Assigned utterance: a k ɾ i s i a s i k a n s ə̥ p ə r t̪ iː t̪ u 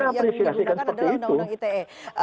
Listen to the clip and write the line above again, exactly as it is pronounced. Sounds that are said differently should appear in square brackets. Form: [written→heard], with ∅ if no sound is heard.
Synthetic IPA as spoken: a [k→p] ɾ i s i a s i k a n s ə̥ p ə r t̪ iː t̪ u